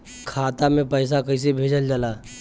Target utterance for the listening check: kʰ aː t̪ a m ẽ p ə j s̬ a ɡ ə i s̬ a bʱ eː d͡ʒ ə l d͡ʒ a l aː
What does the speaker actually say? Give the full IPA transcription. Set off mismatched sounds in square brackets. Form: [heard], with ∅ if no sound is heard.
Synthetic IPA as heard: kʰ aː t̪ a m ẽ p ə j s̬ a [k] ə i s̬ [e] bʱ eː d͡ʒ ə l d͡ʒ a l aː